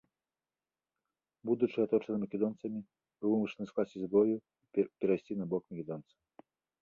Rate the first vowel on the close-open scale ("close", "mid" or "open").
close